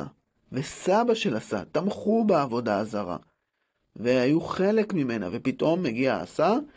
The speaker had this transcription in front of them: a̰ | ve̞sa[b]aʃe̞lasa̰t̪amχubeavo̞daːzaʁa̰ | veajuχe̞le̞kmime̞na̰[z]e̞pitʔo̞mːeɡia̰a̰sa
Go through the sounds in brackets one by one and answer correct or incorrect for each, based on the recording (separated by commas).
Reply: correct, incorrect